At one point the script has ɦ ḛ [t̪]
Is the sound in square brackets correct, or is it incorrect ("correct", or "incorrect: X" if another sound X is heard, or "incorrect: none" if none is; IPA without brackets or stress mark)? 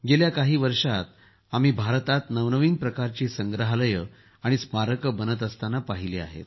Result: correct